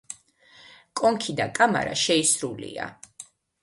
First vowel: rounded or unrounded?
rounded